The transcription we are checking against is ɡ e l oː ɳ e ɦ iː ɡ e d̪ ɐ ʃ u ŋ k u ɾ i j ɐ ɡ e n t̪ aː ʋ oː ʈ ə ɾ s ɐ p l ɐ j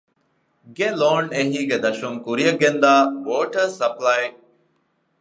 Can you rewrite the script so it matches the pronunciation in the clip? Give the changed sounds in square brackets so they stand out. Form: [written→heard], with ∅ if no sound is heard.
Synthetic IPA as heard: ɡ e l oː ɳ e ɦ iː ɡ e d̪ ɐ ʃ u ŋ k u ɾ i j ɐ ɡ e n [t̪→d̪] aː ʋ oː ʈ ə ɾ s ɐ p l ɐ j